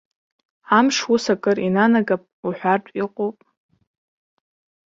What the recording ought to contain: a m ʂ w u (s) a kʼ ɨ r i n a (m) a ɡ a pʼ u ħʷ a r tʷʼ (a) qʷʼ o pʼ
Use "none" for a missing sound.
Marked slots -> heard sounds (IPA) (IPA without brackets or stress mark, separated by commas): s, n, i